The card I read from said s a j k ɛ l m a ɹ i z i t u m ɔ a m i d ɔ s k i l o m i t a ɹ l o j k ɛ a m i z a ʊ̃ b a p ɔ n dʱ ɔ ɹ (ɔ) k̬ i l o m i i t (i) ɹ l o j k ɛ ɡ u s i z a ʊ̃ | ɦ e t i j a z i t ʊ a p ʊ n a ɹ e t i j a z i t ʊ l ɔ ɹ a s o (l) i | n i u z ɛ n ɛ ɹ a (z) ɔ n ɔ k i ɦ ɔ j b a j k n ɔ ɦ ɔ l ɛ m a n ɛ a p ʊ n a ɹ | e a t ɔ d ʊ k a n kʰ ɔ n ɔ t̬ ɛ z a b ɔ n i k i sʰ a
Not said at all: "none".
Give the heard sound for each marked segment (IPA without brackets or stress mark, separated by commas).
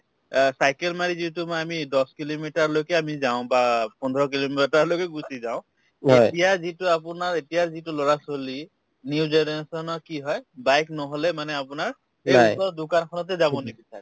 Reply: ɔ, a, l, s